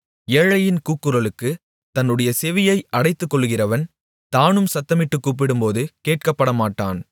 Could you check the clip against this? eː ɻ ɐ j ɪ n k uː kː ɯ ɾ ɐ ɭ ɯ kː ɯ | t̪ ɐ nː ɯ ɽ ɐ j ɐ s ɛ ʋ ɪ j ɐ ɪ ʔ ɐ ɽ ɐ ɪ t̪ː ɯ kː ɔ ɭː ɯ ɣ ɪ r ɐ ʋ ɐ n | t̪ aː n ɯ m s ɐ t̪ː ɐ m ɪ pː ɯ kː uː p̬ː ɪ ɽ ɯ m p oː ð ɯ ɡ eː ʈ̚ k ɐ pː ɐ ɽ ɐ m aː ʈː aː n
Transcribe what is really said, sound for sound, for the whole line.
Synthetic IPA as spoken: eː ɻ ɐ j ɪ n k uː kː ɯ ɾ ɐ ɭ ɯ kː ɯ | t̪ ɐ nː ɯ ɽ ɐ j ɐ s ɛ ʋ ɪ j ɐ ɪ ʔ ɐ ɽ ɐ ɪ t̪ː ɯ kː ɔ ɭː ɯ ɣ ɪ r ɐ ʋ ɐ n | t̪ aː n ɯ m s ɐ t̪ː ɐ m ɪ ʈː ɯ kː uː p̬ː ɪ ɽ ɯ m p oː ð ɯ k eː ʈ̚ k ɐ pː ɐ ɽ ɐ m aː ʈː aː n